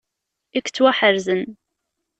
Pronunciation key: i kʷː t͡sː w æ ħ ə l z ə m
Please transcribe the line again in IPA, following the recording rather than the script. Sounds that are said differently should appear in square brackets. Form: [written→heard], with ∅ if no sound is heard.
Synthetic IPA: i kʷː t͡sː w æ ħ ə [l→ɾ] z ə [m→n]